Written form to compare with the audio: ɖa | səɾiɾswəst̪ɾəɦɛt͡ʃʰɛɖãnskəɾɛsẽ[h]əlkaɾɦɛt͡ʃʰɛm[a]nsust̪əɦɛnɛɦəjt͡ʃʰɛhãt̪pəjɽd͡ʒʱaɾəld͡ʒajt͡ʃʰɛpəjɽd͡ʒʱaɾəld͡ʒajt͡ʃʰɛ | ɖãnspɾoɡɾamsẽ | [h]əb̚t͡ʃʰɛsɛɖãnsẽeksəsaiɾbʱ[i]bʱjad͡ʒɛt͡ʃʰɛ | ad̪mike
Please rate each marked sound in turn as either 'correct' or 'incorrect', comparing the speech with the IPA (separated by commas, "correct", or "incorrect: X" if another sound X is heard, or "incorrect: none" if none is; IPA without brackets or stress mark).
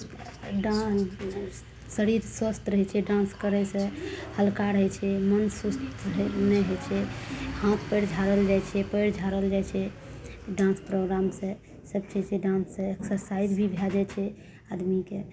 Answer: correct, incorrect: ə, incorrect: s, correct